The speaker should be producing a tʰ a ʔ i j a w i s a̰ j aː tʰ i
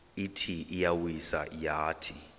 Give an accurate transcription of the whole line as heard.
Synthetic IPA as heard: i tʰ i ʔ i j a w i s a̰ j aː tʰ i